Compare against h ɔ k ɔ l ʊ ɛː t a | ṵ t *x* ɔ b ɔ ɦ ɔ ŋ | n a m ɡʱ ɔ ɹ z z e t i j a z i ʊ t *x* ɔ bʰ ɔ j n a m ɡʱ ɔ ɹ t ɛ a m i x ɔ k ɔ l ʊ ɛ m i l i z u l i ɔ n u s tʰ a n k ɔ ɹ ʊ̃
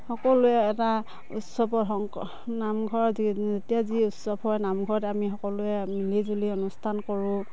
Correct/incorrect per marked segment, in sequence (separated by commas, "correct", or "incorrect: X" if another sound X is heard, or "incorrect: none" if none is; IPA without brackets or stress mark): incorrect: s, incorrect: s